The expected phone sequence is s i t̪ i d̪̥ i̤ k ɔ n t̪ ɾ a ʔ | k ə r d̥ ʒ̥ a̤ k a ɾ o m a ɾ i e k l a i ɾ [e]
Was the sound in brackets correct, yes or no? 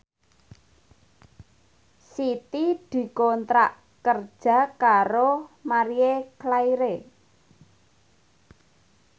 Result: yes